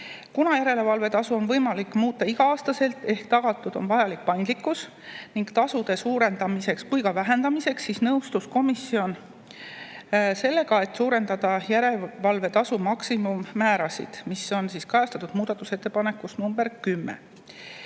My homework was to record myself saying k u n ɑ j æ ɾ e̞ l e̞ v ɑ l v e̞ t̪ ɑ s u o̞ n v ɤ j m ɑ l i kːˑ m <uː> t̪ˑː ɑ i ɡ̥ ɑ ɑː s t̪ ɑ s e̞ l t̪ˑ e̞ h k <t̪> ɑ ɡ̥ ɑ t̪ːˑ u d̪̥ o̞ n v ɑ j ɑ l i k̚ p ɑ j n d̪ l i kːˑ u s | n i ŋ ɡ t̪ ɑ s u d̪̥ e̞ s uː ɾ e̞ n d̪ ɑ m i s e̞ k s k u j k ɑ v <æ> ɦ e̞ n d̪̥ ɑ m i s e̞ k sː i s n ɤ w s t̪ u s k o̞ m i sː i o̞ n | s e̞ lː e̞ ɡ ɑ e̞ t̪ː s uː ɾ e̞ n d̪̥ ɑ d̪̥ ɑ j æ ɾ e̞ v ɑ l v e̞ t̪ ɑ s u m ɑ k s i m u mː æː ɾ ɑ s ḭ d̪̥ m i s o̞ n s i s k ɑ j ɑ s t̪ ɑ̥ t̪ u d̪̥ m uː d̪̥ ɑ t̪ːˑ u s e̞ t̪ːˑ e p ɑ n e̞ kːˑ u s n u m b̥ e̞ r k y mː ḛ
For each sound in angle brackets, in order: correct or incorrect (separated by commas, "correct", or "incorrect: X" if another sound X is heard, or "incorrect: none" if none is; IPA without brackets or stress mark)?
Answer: correct, correct, correct